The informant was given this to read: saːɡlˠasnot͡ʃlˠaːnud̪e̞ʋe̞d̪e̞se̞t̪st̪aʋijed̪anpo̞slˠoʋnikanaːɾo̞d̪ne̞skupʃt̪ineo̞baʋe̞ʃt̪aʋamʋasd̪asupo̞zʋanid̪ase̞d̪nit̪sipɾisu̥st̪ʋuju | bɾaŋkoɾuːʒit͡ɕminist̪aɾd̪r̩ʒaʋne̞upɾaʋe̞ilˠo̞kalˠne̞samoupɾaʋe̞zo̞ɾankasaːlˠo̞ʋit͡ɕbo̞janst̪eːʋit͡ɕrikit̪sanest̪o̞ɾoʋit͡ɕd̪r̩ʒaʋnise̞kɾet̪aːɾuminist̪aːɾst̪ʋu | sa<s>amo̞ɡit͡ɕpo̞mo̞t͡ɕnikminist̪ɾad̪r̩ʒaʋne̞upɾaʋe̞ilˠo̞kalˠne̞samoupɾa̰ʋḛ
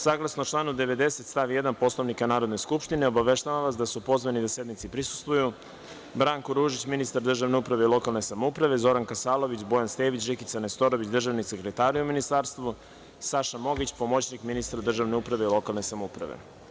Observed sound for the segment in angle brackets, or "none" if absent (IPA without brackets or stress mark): ʃ